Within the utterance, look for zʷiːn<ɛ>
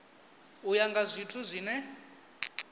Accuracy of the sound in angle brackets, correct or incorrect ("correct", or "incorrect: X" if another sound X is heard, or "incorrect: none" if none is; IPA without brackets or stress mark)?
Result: correct